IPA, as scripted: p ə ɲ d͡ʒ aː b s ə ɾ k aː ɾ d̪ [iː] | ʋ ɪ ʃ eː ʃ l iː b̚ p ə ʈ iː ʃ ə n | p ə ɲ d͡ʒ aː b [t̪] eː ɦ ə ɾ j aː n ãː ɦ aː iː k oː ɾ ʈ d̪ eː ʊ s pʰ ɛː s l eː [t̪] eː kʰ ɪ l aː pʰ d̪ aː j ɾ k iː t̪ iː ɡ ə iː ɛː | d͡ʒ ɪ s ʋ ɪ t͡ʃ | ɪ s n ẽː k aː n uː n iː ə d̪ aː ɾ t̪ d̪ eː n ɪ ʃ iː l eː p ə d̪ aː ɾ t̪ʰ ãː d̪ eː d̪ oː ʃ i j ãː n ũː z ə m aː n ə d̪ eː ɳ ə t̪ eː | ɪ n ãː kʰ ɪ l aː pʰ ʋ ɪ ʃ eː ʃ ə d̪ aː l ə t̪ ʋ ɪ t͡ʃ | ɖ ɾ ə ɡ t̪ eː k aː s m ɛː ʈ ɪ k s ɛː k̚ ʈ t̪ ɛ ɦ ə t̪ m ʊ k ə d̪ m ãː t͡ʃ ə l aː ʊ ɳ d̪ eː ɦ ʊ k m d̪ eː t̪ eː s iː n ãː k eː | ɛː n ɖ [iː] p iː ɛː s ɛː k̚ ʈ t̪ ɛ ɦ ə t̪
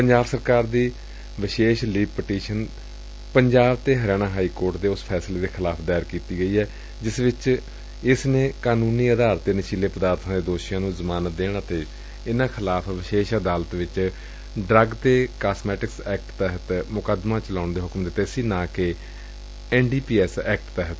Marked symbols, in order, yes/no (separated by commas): yes, yes, no, yes